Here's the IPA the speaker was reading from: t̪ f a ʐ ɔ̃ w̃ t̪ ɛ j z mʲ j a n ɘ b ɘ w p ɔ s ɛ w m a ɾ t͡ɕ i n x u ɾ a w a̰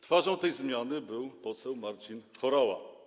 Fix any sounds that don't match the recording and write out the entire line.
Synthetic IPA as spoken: t̪ f a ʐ ɔ̃ w̃ t̪ ɛ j z mʲ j a n ɘ b ɘ w p ɔ s ɛ w m a ɾ t͡ɕ i n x ɔ ɾ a w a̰